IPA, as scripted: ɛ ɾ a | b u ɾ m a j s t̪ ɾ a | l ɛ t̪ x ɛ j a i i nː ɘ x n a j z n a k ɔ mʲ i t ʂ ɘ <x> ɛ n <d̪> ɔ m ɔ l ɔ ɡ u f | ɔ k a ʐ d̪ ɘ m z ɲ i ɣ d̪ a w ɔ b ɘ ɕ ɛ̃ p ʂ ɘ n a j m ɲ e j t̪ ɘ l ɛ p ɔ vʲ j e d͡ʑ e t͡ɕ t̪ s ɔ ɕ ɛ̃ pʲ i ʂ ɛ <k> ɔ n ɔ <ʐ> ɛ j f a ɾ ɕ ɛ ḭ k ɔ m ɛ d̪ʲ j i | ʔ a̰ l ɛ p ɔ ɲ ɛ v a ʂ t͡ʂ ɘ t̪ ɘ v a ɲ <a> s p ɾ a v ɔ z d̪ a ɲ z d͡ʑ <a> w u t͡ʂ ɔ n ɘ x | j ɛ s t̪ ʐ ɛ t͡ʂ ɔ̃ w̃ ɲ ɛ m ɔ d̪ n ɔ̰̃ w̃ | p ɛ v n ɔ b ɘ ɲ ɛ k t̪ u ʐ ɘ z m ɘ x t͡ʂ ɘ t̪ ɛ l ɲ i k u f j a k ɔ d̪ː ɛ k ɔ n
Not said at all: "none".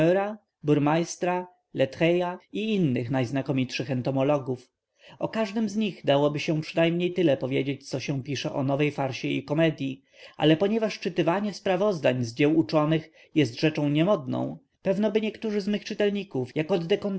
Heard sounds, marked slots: x, t̪, ʔ, v, ɛ, ɛ

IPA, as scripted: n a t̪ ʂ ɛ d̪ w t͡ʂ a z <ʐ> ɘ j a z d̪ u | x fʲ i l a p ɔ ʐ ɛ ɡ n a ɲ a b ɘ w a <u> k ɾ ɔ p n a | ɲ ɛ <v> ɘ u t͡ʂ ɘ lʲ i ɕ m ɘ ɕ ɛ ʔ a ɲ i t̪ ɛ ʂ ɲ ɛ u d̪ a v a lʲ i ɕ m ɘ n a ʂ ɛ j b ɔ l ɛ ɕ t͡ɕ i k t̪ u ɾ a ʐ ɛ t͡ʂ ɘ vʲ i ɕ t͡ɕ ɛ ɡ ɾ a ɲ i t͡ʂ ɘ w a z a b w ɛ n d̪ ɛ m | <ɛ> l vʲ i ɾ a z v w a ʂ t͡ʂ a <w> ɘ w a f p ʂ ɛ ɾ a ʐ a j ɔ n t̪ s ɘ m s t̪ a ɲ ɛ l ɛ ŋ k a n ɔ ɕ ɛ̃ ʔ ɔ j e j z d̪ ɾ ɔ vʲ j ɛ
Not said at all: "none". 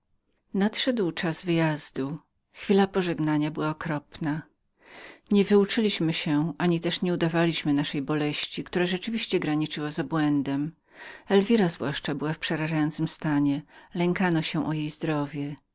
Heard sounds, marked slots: v, ɔ, v, ɛ, b

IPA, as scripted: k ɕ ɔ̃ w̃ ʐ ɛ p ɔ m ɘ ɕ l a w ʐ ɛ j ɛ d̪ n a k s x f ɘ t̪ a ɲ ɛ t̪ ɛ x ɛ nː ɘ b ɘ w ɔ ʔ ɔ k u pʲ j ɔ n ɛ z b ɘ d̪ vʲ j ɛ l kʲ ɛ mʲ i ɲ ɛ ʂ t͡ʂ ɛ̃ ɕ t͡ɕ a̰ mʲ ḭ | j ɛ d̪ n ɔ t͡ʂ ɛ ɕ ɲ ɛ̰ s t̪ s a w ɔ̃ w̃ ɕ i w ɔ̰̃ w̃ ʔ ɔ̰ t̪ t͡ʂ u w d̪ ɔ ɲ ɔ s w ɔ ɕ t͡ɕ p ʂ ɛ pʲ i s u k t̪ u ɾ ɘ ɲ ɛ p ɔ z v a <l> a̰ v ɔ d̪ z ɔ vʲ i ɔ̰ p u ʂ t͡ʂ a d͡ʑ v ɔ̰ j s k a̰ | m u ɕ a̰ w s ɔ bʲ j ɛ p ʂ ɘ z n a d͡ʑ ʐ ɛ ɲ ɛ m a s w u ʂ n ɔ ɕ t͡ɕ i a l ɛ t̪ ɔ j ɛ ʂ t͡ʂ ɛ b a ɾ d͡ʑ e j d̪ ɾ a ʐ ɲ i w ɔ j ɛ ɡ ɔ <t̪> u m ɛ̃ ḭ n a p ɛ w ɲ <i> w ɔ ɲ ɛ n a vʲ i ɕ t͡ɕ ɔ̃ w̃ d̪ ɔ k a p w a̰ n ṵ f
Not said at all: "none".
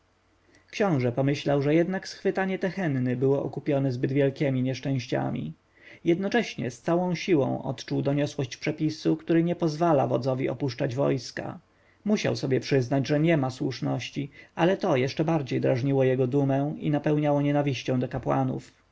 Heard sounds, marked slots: l, d̪, a

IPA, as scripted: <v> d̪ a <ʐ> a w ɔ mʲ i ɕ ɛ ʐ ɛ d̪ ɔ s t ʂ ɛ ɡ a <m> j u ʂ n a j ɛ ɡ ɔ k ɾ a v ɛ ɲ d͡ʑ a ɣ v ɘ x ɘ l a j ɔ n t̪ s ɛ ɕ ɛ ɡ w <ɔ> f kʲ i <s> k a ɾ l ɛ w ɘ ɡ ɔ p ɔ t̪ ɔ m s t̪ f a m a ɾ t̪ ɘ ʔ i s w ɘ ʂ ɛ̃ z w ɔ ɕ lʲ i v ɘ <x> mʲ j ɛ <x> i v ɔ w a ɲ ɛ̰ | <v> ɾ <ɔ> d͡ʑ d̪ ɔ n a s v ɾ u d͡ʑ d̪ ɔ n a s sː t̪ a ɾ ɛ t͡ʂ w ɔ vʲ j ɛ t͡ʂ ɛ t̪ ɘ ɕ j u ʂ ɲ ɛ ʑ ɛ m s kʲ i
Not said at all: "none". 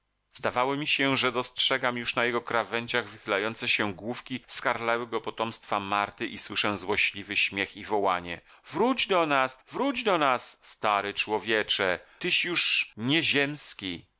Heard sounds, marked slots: z, v, m, u, s, ɕ, x, v, u

